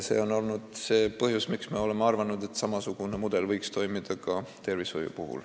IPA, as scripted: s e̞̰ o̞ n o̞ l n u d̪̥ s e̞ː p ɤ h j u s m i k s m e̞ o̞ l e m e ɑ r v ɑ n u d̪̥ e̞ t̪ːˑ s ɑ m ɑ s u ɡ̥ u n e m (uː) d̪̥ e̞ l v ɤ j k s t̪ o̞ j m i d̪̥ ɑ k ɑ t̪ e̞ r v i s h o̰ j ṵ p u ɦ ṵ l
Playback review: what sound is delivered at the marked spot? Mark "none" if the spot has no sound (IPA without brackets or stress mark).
u